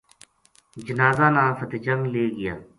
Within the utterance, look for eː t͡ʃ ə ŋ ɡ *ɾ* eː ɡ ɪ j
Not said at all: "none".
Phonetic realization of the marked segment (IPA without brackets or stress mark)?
l